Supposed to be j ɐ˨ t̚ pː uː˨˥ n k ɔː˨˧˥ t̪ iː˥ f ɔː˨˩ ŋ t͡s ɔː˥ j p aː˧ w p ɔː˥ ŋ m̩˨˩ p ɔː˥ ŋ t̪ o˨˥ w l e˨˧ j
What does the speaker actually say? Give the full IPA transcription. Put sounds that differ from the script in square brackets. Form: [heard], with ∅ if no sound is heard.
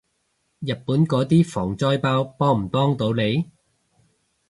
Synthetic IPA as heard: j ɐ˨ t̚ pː uː˨˥ n k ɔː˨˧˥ t̪ iː˥ f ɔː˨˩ ŋ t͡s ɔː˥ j p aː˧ w p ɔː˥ ŋ m̩˨˩ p ɔː˥ ŋ t̪ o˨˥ w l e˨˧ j